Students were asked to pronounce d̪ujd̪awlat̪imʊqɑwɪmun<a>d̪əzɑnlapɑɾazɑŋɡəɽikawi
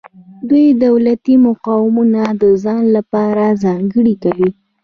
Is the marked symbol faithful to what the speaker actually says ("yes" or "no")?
yes